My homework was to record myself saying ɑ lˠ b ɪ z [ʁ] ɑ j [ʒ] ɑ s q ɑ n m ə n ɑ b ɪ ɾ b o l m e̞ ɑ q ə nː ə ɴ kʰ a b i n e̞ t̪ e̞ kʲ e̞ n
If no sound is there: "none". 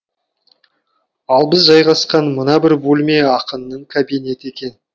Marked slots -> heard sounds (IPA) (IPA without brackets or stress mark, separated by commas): ʒ, ʁ